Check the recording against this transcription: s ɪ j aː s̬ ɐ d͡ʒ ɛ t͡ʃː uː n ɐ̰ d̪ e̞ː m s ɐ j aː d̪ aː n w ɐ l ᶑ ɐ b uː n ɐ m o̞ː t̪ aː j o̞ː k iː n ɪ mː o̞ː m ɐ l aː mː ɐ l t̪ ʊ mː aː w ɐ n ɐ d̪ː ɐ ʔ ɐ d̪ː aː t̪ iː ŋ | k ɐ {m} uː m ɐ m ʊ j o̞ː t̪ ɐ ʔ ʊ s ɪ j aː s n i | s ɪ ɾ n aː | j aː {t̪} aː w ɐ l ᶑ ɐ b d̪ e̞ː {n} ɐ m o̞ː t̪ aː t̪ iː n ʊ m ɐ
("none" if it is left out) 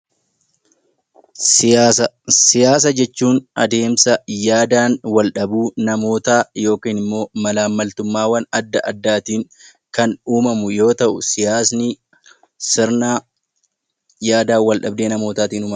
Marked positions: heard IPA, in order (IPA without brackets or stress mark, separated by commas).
n, d̪, n